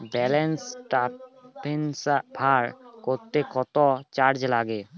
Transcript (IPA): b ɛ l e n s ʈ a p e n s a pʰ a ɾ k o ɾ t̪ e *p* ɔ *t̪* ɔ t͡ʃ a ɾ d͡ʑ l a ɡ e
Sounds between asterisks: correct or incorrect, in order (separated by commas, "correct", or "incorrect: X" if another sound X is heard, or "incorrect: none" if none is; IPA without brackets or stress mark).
incorrect: k, correct